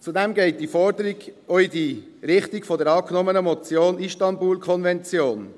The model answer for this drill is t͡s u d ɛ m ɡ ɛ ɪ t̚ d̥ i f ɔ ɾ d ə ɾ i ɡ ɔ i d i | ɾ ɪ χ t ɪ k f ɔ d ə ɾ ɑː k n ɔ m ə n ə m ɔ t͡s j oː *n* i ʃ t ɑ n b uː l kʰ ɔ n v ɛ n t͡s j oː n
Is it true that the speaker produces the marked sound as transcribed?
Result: yes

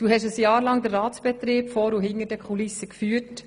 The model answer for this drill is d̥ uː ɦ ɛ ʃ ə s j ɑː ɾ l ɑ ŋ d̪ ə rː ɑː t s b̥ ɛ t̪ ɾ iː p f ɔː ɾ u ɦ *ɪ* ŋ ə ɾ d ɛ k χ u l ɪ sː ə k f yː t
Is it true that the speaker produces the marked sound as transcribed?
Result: yes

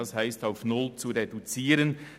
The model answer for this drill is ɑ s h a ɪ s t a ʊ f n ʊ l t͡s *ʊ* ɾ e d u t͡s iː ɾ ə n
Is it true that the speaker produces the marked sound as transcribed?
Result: no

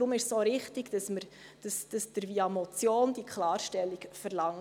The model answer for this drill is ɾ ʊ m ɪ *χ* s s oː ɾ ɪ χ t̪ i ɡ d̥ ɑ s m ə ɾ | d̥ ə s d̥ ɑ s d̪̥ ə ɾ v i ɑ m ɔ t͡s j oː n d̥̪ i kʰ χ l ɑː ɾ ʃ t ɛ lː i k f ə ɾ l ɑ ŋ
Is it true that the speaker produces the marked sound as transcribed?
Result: no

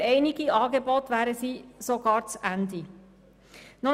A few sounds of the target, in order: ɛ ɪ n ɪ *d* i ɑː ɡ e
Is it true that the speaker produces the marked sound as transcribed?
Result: no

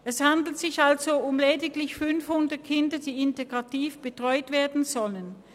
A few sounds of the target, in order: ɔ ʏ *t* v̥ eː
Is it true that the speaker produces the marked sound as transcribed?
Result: yes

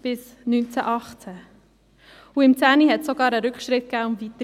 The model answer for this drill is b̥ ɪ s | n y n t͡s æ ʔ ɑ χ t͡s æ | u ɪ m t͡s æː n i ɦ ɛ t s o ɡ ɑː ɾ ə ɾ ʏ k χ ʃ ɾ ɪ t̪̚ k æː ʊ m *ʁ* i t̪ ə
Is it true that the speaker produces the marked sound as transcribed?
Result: no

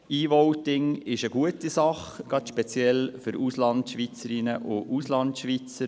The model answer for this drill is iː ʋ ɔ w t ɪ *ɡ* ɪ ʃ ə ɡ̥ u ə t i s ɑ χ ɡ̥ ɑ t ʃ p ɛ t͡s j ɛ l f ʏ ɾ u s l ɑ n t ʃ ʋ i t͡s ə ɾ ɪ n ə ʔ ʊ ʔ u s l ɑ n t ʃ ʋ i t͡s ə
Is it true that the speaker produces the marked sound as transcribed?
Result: no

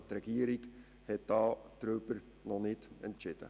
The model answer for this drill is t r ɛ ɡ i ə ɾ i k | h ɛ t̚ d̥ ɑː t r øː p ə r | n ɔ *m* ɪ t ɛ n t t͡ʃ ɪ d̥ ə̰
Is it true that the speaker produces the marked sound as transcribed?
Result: no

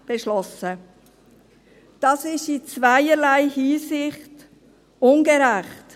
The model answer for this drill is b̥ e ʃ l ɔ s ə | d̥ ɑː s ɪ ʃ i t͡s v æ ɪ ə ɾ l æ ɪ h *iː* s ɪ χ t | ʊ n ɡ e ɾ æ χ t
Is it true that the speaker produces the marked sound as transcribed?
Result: yes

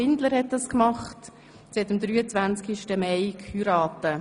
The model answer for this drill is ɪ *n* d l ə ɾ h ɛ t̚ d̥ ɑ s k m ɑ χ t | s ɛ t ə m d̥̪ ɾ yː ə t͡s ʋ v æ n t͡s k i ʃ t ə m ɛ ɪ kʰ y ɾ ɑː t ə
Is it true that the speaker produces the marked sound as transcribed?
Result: yes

